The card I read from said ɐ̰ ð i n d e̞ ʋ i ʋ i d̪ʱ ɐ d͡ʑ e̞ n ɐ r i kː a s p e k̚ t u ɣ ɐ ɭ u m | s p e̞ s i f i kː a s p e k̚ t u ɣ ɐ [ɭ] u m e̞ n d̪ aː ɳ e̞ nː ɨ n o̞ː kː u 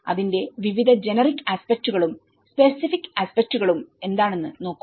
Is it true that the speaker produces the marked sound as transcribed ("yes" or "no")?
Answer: yes